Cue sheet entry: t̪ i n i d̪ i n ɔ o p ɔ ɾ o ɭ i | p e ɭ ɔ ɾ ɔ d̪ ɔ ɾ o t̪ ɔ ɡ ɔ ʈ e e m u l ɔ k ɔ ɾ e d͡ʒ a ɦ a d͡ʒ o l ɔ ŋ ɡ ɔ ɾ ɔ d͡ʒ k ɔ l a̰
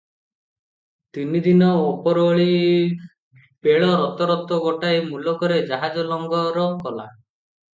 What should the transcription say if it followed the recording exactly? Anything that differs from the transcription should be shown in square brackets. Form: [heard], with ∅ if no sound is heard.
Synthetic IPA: t̪ i n i d̪ i n ɔ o p ɔ ɾ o ɭ i | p e ɭ ɔ ɾ ɔ [t̪] ɔ ɾ [ɔ] t̪ ɔ ɡ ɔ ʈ [a] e m u l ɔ k ɔ ɾ e d͡ʒ a ɦ a d͡ʒ [ɔ] l ɔ ŋ ɡ ɔ ɾ ɔ [∅] k ɔ l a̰

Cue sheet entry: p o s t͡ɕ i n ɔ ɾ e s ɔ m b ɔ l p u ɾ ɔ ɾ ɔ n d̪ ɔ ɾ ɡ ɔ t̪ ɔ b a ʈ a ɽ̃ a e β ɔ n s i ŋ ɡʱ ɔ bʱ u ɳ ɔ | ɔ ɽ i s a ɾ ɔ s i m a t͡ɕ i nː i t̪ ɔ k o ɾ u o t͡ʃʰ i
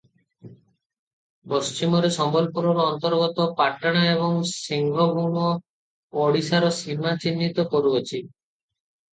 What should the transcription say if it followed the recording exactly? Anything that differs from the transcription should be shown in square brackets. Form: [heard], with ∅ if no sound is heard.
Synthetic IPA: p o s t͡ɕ i [m] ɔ ɾ e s ɔ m b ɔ l p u ɾ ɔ ɾ ɔ n [t̪] ɔ ɾ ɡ ɔ t̪ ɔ [p] a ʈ a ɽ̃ a e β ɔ [ŋ] s i ŋ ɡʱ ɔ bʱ u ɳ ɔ | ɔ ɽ i s a ɾ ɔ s i m a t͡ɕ i nː i t̪ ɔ k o ɾ u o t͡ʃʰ i

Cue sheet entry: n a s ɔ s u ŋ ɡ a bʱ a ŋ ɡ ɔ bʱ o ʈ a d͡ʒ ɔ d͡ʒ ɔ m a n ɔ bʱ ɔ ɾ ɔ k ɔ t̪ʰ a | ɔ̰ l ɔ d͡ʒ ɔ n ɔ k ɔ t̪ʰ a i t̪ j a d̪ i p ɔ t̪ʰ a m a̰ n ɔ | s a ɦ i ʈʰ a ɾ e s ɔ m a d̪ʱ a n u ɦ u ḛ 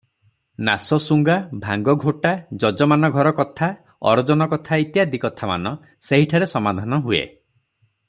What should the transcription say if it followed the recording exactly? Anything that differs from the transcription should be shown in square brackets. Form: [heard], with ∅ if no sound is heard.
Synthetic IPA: n a s ɔ s u ŋ ɡ a bʱ a ŋ ɡ ɔ [ɡʱ] o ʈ a d͡ʒ ɔ d͡ʒ ɔ m a n ɔ [ɡʱ] ɔ ɾ ɔ k ɔ t̪ʰ a | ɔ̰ [ɾ] ɔ d͡ʒ ɔ n ɔ k ɔ t̪ʰ a i t̪ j a d̪ i [k] ɔ t̪ʰ a m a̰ n ɔ | s [e] ɦ i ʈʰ a ɾ e s ɔ m a d̪ʱ a n [ɔ] ɦ u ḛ

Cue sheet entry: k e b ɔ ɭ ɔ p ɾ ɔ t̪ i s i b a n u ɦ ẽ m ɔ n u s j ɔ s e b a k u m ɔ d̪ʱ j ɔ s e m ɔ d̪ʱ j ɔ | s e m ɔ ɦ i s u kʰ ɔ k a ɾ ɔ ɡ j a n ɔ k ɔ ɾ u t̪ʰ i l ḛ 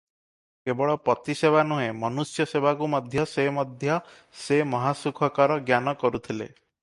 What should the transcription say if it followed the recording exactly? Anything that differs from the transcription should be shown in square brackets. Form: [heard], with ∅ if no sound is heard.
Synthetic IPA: k e b ɔ ɭ ɔ p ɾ ɔ t̪ i s [e] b a n u ɦ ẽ m ɔ n u s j ɔ s e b a k u m ɔ d̪ʱ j ɔ s e m ɔ d̪ʱ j ɔ | s e m ɔ ɦ [a] s u kʰ ɔ k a ɾ ɔ ɡ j a n ɔ k ɔ ɾ u t̪ʰ i l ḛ

